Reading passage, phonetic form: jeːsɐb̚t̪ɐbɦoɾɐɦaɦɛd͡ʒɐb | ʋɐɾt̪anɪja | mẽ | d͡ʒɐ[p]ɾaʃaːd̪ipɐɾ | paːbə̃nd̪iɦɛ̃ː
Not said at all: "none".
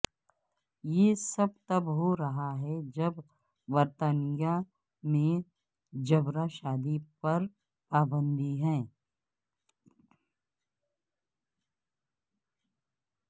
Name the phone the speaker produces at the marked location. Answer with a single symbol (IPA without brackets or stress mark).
b